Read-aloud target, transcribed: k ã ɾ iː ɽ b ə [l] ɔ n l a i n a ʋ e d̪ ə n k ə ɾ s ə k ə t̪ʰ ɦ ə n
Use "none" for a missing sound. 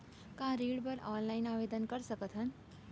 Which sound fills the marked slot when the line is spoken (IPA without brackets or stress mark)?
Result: ɾ